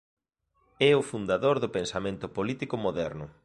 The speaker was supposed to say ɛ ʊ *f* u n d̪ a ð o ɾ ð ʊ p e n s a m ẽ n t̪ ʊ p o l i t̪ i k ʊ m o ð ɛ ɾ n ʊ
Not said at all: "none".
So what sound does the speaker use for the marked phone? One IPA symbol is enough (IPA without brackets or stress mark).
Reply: f